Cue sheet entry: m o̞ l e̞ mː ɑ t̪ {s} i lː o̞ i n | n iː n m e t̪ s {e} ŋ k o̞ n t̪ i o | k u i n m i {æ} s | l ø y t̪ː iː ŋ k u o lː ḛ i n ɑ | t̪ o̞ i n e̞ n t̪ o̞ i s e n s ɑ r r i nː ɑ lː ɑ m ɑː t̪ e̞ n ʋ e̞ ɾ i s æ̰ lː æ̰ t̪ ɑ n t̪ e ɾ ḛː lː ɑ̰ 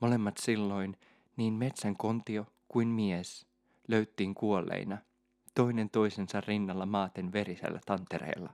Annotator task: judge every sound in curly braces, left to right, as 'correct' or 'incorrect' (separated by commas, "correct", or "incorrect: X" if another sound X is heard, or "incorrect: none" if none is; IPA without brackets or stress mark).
correct, incorrect: æ, incorrect: e